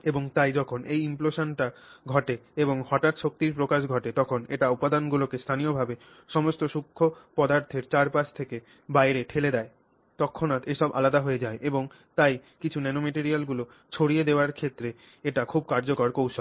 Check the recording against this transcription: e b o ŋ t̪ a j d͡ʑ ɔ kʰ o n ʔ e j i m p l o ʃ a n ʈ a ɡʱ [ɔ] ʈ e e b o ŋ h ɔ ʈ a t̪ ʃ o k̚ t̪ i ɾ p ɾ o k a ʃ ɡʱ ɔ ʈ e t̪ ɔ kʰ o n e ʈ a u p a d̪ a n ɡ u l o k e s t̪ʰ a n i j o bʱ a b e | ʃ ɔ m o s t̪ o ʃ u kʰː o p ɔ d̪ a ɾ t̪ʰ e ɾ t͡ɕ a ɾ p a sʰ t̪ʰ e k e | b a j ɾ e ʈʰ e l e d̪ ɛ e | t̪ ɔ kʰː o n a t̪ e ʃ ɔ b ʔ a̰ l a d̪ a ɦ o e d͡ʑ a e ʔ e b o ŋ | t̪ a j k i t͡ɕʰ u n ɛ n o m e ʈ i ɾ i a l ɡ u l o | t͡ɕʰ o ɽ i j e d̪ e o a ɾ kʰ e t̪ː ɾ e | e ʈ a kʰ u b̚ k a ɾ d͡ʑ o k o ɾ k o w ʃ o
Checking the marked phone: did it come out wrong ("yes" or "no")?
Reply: no